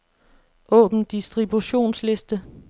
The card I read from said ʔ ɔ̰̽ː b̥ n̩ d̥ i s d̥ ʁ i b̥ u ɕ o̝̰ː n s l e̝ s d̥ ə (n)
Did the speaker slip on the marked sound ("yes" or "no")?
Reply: yes